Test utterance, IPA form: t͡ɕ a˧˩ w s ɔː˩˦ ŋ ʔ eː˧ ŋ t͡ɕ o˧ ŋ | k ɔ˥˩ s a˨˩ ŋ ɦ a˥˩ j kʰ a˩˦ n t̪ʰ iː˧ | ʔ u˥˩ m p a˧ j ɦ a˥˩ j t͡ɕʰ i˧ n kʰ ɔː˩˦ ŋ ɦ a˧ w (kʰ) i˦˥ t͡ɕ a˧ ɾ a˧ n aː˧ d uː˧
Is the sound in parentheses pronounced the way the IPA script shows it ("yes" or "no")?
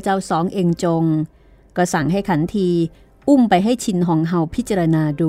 no